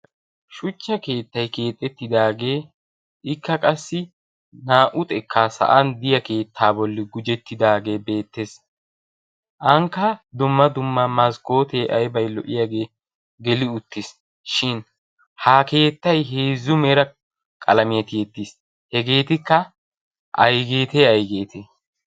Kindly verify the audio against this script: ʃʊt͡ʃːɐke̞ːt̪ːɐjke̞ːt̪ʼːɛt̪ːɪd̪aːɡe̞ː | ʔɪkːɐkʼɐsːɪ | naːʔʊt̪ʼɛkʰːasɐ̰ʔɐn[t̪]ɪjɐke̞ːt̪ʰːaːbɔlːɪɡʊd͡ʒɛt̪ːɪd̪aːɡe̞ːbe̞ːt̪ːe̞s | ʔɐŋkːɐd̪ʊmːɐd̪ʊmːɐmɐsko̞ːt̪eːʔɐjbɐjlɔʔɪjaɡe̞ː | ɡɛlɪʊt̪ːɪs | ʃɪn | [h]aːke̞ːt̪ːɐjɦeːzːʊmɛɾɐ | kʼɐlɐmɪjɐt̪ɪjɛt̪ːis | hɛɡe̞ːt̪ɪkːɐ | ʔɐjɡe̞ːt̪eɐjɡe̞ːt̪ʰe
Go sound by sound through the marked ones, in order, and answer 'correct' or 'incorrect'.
incorrect: d̪, correct

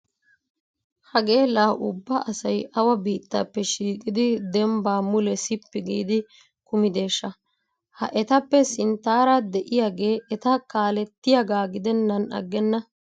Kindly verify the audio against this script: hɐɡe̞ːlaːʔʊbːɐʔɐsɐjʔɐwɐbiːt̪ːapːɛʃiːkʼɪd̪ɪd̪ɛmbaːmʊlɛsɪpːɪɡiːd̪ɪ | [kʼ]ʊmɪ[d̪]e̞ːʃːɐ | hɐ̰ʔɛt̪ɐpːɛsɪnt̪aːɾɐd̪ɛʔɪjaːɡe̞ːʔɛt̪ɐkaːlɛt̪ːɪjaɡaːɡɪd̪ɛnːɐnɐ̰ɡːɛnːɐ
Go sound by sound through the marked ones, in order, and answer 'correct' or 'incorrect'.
incorrect: k, correct

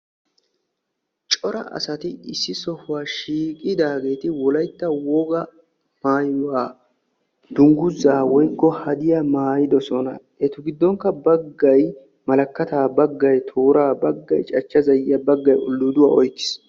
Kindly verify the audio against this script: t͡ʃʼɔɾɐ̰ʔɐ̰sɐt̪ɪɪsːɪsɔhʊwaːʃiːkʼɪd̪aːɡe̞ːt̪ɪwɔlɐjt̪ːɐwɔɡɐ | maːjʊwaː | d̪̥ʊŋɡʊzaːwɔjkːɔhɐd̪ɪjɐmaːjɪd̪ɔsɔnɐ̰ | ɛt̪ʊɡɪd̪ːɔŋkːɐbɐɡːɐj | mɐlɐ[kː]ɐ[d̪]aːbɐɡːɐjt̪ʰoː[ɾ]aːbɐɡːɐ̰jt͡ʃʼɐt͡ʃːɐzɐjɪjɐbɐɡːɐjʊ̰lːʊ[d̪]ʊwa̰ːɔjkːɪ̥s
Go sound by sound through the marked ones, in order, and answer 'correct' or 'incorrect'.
correct, incorrect: t̪, correct, correct

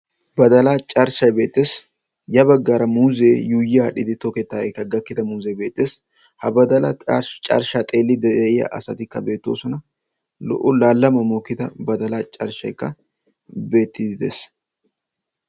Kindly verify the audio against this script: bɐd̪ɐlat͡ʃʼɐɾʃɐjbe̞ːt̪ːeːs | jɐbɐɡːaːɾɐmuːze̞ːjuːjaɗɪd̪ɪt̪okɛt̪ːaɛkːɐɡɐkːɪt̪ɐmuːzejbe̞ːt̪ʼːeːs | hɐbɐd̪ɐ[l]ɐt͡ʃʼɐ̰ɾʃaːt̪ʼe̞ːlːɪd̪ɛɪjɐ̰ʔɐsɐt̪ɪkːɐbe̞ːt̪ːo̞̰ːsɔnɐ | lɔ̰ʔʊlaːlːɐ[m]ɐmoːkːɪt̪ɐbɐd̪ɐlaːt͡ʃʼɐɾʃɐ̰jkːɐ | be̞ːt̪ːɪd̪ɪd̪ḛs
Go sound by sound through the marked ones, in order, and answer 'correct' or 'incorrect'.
correct, correct

